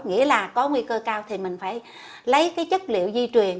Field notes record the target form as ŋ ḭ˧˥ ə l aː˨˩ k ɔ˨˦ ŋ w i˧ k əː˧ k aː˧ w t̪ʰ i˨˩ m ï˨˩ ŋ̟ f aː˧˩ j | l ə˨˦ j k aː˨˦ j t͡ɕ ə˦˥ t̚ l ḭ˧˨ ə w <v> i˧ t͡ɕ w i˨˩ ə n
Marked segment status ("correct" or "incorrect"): incorrect